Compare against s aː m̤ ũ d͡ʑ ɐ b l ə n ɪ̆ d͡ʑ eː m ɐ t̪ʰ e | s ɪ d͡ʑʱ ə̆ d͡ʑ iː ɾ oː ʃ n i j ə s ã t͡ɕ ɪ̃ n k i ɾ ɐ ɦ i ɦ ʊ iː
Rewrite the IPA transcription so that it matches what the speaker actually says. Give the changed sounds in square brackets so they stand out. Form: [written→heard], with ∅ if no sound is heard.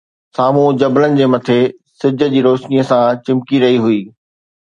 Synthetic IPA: s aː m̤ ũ d͡ʑ ɐ b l ə n ɪ̆ d͡ʑ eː m ɐ t̪ʰ e | s ɪ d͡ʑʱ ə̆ d͡ʑ iː ɾ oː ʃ n i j ə s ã t͡ɕ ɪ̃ [n→m] k i ɾ ɐ ɦ i ɦ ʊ iː